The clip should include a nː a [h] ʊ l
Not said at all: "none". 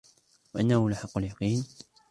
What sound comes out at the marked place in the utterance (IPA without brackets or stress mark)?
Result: h